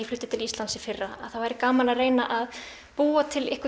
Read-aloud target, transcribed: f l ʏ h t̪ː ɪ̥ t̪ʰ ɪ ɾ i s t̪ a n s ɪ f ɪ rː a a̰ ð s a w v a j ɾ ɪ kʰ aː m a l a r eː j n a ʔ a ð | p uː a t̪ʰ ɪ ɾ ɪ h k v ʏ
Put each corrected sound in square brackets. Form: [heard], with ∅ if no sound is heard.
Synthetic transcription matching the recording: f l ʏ h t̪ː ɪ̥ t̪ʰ ɪ [l] i s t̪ a n s ɪ f ɪ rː a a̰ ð [θ] a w v a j ɾ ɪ [k] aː m a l a r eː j n a ʔ a ð | p uː a t̪ʰ ɪ [l] ɪ h k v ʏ